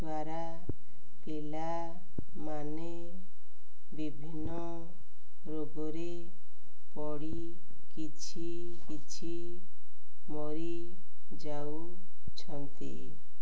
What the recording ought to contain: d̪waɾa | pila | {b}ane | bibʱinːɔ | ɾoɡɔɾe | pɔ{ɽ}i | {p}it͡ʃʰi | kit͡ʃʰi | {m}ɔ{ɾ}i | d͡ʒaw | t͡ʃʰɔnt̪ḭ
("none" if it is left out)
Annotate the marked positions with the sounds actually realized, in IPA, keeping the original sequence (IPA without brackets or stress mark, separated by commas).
m, ɽ, k, m, ɾ